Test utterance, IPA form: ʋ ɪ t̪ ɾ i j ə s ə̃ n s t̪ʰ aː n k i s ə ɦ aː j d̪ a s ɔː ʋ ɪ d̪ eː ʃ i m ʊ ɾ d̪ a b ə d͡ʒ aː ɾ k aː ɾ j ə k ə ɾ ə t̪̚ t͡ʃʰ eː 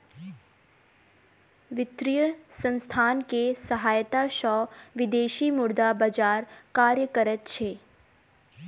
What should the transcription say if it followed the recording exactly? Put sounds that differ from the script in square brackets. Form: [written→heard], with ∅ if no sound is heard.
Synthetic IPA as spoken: ʋ ɪ t̪ ɾ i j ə s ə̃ n s t̪ʰ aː n k [i→e] s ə ɦ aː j [d̪→t̪] a [s→ʃ] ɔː ʋ ɪ d̪ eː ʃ i m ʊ ɾ d̪ a b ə d͡ʒ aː ɾ k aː ɾ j ə k ə ɾ ə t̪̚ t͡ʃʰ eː